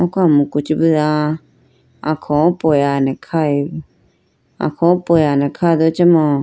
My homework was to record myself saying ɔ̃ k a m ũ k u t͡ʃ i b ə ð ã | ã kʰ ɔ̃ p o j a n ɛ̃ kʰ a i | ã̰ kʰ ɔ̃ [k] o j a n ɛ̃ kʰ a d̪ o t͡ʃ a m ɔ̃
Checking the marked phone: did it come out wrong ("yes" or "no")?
yes